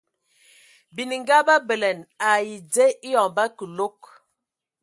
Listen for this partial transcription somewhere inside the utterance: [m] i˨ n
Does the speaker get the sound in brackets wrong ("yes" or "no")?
yes